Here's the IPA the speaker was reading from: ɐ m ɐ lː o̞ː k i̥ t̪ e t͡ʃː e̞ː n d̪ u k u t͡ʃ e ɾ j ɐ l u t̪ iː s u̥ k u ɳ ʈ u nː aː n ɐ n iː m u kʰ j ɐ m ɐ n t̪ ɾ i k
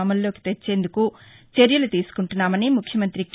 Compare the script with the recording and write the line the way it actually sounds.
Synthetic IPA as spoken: ɐ m ɐ lː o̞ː k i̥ t̪ e t͡ʃː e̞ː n d̪ u k u t͡ʃ e ɾ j ɐ l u t̪ iː s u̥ k u ɳ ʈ u nː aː m ɐ n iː m u kʰ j ɐ m ɐ n t̪ ɾ i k